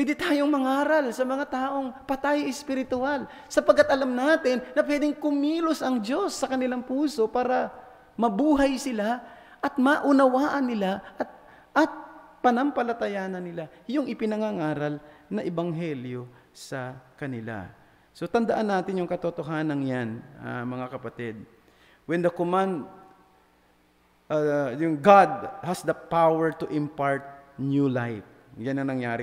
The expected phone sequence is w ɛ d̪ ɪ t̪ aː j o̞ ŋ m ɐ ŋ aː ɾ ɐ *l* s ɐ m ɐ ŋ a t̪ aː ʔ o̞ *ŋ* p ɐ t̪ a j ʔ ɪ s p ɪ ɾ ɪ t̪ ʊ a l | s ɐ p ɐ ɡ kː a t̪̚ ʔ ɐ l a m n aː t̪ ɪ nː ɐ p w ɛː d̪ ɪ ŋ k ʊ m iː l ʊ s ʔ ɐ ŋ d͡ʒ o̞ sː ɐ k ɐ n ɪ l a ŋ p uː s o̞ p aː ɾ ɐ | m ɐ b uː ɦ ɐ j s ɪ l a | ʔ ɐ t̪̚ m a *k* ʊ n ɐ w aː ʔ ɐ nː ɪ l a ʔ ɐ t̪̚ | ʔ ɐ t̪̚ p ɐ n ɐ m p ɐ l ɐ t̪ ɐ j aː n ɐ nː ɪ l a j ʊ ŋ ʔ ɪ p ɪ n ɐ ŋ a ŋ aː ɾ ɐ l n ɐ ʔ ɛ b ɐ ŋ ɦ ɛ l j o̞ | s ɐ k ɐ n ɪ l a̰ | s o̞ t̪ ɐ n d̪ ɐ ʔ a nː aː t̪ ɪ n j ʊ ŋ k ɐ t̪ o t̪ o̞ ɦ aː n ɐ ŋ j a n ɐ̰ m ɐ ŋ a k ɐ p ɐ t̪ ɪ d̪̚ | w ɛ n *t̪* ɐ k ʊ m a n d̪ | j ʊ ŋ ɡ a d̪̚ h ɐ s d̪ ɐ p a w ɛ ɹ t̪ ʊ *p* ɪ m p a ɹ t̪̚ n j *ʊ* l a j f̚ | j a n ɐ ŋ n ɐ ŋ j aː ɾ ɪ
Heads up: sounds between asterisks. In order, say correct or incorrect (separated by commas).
correct, correct, incorrect, incorrect, incorrect, incorrect